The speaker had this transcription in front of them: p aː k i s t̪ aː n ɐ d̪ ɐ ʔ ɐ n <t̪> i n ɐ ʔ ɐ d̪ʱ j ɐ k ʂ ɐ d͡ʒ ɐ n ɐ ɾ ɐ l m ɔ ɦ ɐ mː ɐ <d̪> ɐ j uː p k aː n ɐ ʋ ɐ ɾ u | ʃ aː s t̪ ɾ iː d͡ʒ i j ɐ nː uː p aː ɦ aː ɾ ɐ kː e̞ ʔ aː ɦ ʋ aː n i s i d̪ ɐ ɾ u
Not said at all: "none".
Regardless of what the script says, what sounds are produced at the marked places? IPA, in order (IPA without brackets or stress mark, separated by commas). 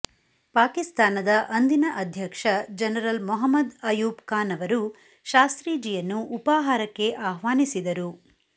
d̪, d̪